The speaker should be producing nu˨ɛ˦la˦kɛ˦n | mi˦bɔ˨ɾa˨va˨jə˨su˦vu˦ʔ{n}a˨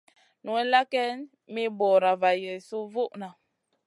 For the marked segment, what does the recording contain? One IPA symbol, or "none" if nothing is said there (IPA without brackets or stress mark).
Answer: n